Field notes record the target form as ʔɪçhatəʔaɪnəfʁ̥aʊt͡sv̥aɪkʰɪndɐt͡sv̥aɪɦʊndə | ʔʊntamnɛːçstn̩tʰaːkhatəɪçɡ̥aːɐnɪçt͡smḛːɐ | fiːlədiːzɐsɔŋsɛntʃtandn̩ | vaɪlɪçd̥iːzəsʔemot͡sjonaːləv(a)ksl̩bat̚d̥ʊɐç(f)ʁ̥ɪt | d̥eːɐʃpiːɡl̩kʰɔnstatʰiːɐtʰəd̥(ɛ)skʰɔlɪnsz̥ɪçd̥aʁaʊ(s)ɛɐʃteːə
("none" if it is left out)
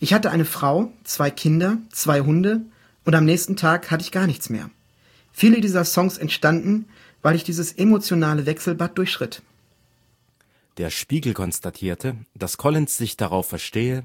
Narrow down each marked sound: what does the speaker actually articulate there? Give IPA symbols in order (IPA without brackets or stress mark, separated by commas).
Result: ɛ, ʃ, a, f